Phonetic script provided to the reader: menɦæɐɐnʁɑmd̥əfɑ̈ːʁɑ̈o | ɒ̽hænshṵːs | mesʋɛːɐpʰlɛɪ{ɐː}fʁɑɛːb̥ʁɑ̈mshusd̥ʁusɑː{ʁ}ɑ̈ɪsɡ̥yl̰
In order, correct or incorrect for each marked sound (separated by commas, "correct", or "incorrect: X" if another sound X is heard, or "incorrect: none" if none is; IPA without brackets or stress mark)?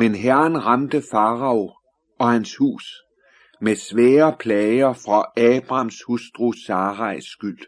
incorrect: ɐ, correct